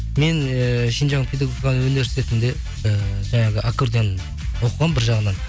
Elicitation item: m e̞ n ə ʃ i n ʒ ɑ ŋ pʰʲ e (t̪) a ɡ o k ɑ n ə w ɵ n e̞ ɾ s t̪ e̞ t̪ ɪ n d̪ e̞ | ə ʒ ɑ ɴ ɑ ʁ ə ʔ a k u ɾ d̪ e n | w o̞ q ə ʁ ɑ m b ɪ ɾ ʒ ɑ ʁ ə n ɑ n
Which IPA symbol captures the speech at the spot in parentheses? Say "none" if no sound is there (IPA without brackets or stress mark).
d̪